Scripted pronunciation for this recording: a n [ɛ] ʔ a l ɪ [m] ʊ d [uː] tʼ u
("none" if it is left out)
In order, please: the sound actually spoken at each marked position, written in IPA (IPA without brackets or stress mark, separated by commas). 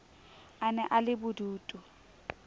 ɛ, b, uː